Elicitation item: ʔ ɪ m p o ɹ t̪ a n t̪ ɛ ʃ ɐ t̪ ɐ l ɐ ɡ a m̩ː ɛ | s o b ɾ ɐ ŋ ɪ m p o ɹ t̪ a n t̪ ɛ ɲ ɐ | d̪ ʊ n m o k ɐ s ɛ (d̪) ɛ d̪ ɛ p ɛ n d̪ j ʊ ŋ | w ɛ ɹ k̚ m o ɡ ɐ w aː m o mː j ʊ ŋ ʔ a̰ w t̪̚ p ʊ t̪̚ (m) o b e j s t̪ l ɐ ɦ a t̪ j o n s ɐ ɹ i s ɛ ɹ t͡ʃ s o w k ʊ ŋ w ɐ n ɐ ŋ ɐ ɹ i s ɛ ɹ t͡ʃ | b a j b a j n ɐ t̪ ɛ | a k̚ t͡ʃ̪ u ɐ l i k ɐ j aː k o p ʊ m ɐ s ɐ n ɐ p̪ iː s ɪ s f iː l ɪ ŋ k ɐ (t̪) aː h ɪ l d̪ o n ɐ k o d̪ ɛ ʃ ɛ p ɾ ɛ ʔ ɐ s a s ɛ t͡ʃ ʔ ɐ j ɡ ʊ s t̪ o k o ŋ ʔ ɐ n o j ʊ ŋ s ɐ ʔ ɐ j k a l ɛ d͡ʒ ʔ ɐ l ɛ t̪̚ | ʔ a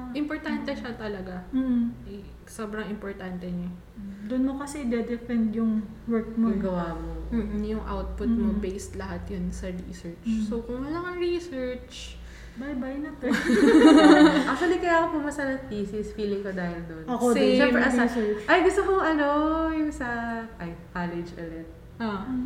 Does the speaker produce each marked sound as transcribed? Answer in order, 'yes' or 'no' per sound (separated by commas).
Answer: yes, yes, no